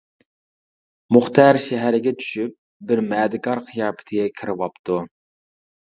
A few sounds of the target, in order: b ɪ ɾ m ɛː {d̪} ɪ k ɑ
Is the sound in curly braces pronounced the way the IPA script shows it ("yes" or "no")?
yes